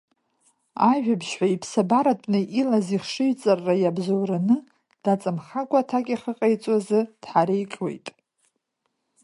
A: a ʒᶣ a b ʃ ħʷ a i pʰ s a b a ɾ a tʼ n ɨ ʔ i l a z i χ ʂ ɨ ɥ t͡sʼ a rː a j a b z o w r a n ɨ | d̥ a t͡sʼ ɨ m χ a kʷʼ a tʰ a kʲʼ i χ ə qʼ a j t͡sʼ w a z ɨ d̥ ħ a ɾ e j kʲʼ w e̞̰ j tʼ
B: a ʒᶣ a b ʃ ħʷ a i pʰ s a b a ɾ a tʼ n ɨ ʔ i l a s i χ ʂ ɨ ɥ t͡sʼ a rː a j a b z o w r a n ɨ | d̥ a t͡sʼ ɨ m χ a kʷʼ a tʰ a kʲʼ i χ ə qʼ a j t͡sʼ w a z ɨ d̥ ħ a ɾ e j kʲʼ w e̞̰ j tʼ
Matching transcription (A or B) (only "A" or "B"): A